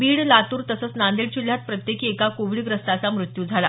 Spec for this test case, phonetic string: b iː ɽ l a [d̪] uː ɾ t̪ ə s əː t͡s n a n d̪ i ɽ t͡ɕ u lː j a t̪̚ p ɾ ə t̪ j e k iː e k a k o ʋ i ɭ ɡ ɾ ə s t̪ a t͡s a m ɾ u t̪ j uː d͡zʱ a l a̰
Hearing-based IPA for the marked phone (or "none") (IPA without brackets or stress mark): t̪